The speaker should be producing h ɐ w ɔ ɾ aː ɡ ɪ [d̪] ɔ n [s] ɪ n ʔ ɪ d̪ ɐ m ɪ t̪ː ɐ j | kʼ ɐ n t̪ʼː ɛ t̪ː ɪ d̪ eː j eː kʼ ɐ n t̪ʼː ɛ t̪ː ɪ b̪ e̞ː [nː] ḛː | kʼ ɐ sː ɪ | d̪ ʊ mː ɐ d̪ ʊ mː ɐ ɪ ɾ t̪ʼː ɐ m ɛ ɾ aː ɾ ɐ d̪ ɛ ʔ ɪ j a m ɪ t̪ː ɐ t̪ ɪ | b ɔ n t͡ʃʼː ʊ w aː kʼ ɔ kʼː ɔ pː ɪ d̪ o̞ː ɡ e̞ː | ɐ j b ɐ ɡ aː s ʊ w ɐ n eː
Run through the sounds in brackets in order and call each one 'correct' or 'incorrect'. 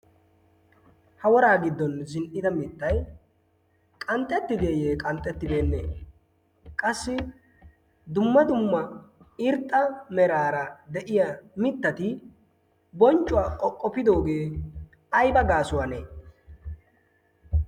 incorrect, incorrect, correct

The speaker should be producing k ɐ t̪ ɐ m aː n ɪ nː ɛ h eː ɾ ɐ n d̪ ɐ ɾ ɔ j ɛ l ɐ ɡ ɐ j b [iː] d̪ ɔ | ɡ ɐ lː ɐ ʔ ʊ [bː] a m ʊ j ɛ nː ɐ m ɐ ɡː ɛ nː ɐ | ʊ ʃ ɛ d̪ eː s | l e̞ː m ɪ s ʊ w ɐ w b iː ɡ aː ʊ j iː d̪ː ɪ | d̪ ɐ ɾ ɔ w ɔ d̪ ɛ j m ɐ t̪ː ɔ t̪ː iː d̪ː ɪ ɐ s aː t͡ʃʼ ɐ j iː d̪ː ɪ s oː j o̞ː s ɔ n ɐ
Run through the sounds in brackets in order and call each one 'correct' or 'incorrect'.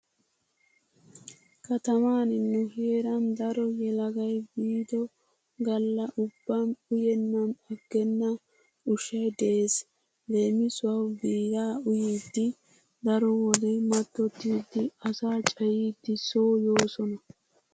correct, correct

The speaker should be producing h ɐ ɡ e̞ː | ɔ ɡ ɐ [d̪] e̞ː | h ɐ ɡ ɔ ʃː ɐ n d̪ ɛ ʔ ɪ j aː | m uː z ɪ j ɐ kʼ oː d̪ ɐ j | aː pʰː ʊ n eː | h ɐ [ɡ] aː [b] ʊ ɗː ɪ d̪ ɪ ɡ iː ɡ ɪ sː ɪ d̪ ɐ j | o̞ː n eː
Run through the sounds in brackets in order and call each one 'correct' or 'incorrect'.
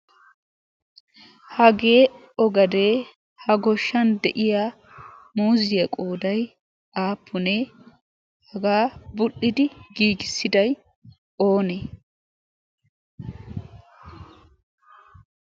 correct, correct, correct

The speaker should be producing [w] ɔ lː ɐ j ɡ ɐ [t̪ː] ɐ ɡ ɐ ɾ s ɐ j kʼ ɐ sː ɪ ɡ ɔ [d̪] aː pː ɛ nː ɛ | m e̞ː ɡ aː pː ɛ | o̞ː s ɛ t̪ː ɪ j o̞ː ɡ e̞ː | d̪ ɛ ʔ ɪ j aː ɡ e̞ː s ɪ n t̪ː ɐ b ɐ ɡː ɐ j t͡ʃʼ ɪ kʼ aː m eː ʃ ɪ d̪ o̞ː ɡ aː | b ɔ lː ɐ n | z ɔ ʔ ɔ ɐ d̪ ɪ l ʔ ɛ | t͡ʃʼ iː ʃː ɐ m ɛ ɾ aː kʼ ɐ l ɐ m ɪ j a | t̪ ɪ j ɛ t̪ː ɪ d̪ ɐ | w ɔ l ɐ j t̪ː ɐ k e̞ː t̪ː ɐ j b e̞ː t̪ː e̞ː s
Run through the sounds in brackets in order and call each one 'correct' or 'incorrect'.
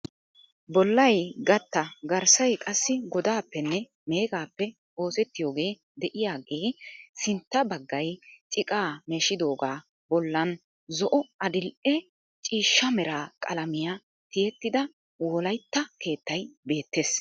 incorrect, correct, correct

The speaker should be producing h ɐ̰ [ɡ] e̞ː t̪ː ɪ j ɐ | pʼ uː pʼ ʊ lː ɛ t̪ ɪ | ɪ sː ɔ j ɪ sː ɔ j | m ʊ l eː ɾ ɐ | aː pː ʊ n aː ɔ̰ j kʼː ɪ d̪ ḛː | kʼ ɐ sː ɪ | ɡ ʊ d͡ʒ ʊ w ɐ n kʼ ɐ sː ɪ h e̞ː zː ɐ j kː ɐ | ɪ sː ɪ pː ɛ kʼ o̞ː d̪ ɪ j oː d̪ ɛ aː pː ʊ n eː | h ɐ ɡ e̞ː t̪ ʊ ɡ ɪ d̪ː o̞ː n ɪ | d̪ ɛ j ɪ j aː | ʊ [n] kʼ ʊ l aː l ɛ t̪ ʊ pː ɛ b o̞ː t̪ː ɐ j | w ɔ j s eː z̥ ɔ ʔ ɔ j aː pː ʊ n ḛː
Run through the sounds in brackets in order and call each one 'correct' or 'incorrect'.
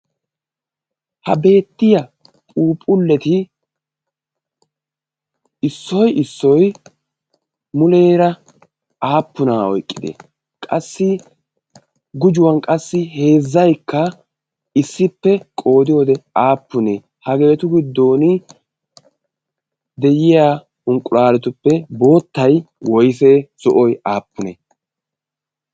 incorrect, incorrect

